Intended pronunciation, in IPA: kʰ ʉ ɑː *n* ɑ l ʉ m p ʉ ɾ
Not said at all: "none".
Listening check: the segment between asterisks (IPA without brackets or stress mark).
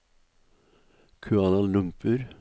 n